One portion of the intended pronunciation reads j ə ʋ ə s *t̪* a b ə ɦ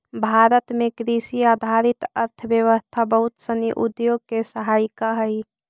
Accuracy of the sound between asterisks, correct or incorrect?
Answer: incorrect